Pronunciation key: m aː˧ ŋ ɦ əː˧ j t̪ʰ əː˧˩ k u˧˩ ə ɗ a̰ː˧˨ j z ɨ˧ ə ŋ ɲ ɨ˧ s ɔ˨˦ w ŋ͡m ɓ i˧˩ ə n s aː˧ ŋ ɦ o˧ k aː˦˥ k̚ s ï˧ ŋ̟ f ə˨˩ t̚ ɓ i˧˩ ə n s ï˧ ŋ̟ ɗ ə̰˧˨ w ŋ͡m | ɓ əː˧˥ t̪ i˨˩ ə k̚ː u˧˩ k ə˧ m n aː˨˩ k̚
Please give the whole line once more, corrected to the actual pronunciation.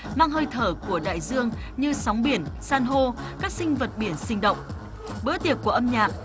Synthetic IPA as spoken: m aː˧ ŋ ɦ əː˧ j t̪ʰ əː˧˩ k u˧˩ ə ɗ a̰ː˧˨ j z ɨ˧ ə ŋ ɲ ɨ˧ s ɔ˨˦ w ŋ͡m ɓ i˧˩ ə n s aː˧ n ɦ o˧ k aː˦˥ k̚ s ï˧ ŋ̟ v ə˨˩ t̚ ɓ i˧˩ ə n s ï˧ ŋ̟ ɗ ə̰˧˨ w ŋ͡m | ɓ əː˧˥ t̪ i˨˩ ə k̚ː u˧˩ ʔ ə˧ m ɲ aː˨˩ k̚